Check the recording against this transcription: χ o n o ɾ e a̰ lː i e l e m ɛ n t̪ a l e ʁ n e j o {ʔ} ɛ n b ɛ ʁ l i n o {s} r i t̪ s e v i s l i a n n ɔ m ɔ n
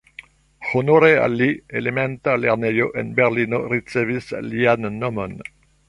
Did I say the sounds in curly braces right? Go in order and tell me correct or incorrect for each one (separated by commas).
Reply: correct, incorrect